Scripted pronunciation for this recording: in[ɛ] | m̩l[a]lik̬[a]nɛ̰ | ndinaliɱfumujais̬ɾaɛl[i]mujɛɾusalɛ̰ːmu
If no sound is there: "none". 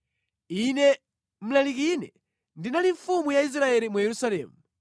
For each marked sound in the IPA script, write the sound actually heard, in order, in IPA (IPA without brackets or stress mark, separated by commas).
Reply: ɛ, a, i, i